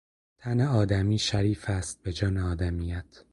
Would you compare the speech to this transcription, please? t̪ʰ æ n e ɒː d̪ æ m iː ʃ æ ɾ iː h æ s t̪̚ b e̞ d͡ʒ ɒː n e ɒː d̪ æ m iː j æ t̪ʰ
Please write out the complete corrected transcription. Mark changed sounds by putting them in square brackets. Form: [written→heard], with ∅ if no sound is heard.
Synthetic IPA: t̪ʰ æ n e ɒː d̪ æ m iː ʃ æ ɾ iː [h→f] æ s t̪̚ b e̞ d͡ʒ ɒː n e ɒː d̪ æ m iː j æ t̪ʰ